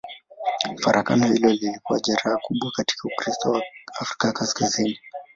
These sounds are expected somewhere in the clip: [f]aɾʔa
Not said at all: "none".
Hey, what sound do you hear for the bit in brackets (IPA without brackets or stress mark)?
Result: f